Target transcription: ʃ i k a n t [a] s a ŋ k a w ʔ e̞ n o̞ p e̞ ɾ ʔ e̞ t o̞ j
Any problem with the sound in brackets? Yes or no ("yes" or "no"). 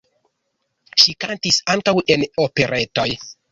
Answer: yes